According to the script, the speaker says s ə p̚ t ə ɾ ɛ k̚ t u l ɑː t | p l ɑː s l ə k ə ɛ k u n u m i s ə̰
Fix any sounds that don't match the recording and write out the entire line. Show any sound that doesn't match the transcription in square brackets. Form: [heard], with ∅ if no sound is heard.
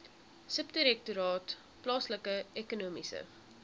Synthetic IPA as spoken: s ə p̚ t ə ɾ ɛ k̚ t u [ɾ] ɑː t | p l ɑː s l ə k ə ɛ k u n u m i s ə̰

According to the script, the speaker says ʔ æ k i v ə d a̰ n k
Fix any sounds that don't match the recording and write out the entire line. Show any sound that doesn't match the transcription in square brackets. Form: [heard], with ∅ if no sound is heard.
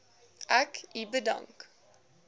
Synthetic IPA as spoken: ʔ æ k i [b] ə d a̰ [ŋ] k

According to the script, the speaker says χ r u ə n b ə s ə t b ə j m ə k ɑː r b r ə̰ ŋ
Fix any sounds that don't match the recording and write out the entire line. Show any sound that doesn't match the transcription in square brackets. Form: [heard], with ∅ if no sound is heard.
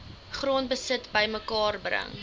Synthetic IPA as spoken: χ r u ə n b ə s ə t b ə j m ə k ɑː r b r ə̰ ŋ

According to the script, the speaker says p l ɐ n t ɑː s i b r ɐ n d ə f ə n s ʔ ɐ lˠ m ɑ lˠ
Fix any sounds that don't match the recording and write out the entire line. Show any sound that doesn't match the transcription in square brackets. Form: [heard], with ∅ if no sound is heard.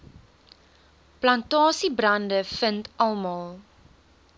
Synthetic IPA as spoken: p l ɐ n t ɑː s i b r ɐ n d ə f ə n [t] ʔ ɐ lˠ m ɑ lˠ

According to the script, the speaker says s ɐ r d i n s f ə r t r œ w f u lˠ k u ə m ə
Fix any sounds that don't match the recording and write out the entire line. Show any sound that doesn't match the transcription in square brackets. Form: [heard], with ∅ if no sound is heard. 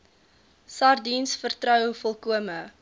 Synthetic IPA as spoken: s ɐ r d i n s f ə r t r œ w f [ɔ] lˠ k u ə m ə

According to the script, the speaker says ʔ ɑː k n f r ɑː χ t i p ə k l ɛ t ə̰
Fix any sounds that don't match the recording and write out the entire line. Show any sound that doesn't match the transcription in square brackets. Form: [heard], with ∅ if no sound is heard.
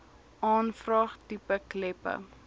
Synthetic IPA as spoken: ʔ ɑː [∅] n f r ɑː χ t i p ə k l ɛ [p] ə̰

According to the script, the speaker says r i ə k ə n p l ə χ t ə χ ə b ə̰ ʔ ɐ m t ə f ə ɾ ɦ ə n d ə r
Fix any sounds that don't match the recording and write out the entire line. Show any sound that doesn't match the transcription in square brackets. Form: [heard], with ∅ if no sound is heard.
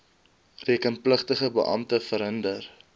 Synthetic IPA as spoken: r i ə k ə n p l ə χ t ə χ ə b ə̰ ʔ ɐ m t ə f ə ɾ ɦ ə n d ə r

